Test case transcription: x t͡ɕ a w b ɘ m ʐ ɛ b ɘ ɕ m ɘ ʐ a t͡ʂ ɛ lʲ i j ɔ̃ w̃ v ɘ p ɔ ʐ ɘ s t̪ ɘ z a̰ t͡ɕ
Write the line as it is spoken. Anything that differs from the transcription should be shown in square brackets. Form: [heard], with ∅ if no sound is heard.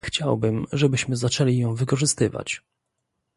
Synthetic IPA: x t͡ɕ a w b ɘ m ʐ ɛ b ɘ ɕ m ɘ [z] a t͡ʂ ɛ lʲ i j ɔ̃ w̃ v ɘ [k] ɔ ʐ ɘ s t̪ ɘ [v] a̰ t͡ɕ